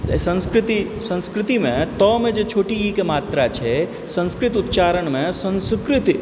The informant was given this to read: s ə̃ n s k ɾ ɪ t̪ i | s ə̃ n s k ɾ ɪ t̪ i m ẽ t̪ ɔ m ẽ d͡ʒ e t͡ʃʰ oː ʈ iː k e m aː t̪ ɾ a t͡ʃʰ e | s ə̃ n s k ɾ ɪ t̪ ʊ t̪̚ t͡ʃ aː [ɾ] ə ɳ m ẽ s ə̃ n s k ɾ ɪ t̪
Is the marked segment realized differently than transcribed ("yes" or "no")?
no